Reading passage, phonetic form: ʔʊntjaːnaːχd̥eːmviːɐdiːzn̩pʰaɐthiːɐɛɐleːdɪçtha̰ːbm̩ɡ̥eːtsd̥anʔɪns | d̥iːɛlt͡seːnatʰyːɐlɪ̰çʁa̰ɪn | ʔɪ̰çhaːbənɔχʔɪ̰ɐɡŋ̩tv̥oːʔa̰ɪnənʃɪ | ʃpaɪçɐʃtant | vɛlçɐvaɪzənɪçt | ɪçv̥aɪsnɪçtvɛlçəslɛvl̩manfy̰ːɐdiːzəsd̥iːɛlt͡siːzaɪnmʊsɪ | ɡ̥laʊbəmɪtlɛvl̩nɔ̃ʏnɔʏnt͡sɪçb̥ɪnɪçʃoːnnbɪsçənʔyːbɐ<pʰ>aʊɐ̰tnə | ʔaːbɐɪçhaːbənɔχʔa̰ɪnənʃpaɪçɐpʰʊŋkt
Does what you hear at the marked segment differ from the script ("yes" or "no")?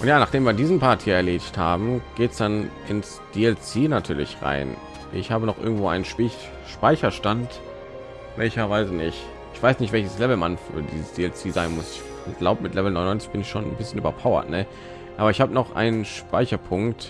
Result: no